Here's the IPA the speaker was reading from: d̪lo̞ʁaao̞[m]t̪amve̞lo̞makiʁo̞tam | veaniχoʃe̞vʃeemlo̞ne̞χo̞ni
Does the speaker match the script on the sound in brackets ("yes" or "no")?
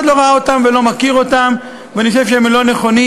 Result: no